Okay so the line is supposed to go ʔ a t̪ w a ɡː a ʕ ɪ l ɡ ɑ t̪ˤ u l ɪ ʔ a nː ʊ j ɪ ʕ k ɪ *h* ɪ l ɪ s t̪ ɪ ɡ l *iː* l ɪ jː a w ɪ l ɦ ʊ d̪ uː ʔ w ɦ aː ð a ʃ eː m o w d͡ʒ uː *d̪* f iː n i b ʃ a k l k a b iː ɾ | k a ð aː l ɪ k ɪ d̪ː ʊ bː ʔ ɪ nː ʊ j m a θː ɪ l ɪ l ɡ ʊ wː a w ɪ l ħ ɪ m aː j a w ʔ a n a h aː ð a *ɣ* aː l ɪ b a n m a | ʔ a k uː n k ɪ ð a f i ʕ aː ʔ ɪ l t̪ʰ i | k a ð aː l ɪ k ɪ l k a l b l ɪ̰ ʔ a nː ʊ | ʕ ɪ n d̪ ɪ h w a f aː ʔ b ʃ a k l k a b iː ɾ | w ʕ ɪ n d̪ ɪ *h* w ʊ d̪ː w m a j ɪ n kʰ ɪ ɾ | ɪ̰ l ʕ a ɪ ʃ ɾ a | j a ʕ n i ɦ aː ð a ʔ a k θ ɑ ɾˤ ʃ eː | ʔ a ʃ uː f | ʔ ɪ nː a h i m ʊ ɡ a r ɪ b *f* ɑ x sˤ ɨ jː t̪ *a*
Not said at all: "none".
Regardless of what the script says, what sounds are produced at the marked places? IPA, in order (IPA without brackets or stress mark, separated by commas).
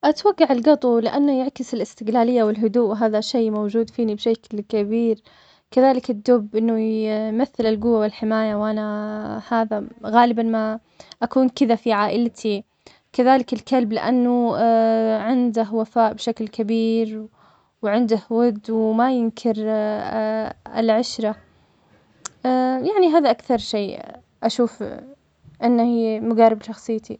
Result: s, aː, d̪, ɣ, h, ʃ, i